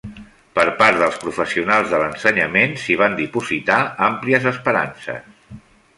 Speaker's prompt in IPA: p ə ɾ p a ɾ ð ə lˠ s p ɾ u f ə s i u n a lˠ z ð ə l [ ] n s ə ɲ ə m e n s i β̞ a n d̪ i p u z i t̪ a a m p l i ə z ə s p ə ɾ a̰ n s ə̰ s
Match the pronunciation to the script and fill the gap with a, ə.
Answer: ə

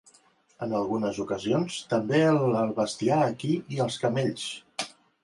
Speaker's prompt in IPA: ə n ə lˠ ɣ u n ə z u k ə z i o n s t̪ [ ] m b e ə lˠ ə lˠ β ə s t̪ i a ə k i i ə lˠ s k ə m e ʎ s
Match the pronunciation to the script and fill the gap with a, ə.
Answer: ə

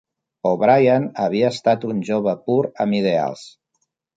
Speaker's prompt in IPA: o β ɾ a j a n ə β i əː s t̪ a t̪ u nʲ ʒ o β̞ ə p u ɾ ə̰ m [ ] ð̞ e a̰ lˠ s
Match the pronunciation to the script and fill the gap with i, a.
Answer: i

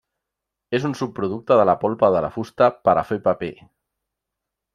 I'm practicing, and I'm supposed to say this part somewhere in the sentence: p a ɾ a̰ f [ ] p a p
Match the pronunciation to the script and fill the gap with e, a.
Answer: e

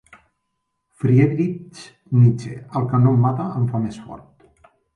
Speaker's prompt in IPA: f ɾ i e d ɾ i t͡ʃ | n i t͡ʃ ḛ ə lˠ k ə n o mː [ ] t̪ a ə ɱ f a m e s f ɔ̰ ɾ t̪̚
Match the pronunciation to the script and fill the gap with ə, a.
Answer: a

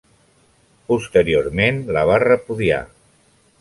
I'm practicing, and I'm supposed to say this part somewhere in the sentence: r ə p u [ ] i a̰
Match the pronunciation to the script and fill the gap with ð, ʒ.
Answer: ð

